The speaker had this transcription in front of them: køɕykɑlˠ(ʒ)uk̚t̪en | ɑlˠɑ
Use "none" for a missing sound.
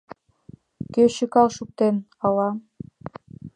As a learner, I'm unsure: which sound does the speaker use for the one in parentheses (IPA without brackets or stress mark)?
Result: ʃ